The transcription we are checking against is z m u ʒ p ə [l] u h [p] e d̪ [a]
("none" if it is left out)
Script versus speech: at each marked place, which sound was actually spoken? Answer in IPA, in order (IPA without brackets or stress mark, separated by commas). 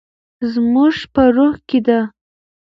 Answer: ɾ, k, a